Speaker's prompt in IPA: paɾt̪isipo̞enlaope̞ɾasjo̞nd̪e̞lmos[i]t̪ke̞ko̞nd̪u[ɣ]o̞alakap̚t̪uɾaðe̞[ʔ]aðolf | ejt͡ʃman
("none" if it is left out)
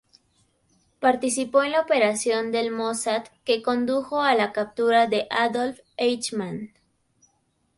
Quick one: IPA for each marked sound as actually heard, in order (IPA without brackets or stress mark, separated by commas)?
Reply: a, x, ʔ